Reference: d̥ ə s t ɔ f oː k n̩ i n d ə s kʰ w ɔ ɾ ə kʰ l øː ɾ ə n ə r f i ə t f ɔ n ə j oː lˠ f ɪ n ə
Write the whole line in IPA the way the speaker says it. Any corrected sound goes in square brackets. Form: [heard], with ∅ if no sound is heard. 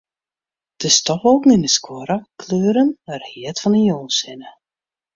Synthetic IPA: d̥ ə s t ɔ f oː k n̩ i n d ə s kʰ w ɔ ɾ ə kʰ l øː ɾ ə n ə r [h] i ə t f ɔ n ə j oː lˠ [s] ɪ n ə